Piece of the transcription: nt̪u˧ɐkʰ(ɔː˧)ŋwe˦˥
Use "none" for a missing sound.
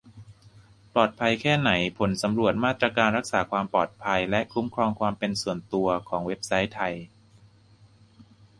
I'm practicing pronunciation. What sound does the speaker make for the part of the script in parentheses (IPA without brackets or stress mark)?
ɔː˩˦